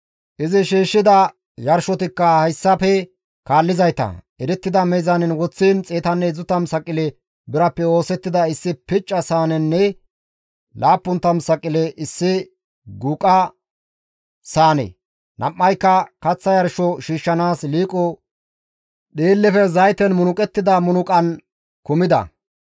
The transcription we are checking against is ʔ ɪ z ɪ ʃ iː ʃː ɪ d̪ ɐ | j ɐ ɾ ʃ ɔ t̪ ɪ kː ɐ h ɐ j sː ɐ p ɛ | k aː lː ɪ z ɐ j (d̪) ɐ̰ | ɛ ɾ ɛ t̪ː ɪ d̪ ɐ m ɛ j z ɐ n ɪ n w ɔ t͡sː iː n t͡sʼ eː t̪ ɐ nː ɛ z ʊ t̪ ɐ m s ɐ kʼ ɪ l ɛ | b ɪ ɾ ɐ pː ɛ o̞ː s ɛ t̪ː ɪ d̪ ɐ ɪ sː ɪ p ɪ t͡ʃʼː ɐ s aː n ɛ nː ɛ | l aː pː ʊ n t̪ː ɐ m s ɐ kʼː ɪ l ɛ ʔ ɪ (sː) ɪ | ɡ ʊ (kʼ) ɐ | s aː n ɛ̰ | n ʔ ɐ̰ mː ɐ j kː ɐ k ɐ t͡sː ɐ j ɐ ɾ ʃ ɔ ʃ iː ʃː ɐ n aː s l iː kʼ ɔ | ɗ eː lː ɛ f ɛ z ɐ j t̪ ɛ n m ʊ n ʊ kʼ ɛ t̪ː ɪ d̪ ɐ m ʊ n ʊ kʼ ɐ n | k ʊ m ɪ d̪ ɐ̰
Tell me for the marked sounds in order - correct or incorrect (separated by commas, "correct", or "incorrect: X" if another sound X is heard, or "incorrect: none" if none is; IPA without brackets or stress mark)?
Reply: incorrect: t̪, correct, correct